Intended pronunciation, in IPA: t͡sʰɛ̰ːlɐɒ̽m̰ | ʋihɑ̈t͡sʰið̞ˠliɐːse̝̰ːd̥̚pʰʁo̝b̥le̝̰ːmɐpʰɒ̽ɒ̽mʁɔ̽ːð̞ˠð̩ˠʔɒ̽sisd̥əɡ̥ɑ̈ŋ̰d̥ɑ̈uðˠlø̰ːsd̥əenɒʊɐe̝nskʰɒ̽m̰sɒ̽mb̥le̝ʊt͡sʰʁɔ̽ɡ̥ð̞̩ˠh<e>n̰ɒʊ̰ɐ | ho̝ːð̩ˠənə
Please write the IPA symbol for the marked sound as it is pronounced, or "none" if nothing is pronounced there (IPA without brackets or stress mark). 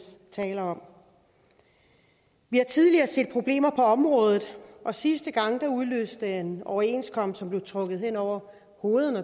e